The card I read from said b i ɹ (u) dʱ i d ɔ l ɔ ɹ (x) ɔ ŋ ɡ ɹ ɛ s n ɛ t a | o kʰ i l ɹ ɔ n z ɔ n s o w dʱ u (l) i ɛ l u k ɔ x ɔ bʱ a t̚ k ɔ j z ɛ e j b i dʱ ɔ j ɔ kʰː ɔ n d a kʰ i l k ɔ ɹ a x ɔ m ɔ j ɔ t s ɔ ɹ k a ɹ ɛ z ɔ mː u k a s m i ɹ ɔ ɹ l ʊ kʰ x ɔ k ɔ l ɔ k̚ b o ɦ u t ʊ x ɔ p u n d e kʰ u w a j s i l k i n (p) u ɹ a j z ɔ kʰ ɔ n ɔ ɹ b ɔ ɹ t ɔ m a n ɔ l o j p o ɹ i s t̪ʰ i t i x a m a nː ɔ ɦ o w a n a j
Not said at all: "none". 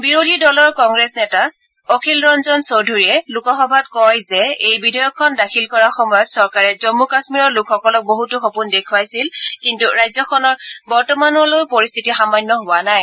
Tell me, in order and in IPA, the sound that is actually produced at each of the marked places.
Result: o, k, ɹ, t

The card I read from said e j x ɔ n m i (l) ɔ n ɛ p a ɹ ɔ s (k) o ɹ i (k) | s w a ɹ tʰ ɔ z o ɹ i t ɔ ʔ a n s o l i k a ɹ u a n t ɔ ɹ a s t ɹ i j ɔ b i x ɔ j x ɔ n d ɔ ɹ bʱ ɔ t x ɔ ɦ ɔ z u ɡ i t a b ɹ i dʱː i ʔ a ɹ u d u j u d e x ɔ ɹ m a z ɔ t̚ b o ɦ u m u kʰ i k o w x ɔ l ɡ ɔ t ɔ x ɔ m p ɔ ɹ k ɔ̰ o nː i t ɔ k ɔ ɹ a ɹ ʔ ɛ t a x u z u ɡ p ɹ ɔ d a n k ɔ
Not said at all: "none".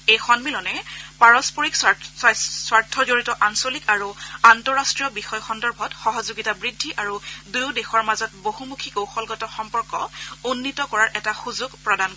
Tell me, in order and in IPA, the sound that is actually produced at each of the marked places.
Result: l, p, k

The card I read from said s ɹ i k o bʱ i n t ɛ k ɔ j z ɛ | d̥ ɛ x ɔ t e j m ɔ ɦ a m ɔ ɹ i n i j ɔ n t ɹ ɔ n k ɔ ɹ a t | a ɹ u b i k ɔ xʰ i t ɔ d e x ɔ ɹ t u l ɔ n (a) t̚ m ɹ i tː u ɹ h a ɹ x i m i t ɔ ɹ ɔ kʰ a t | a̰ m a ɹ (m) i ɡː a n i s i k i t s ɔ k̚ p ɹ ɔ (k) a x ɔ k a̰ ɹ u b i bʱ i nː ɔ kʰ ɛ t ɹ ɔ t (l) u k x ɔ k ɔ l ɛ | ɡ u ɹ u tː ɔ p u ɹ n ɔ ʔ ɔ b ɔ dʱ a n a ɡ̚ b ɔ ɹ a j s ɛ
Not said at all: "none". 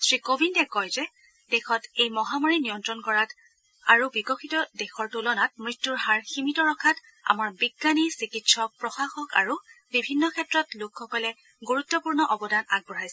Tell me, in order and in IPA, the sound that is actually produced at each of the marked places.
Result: a, b, x, l

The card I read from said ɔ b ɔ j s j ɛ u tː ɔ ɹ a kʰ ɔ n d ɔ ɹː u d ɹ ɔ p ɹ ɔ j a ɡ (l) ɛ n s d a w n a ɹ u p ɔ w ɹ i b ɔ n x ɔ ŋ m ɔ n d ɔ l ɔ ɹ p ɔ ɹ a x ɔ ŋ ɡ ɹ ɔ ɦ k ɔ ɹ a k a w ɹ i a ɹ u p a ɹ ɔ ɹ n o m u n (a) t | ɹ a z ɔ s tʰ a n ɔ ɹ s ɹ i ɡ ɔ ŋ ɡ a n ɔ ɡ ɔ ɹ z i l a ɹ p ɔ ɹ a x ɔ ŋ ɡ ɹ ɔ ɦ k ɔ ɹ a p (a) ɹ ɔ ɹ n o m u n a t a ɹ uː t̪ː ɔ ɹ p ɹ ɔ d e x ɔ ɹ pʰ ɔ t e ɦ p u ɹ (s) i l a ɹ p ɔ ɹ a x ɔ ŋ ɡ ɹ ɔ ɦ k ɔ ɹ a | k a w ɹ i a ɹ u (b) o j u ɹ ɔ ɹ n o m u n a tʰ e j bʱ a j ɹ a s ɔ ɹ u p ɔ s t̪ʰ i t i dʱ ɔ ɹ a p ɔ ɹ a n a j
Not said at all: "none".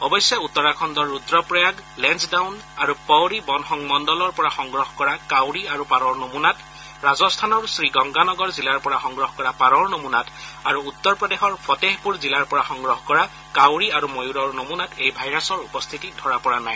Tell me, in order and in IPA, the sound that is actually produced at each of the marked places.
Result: l, a, a, z, m

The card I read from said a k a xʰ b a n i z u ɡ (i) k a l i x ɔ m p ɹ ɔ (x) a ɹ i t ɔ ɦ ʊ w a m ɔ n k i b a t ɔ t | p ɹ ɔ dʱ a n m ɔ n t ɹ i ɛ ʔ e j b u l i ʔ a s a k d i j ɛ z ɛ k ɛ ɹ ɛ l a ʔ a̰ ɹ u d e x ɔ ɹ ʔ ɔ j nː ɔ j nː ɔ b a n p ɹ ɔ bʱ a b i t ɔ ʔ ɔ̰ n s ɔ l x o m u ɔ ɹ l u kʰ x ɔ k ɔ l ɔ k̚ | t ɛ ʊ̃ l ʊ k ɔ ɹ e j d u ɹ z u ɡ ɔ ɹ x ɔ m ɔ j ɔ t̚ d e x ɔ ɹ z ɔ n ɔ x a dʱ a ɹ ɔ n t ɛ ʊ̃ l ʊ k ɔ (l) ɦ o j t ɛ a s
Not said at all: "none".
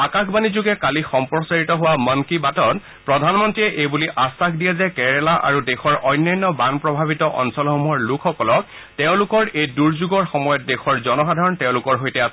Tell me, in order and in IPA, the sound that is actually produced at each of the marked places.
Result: ɛ, s, ɹ

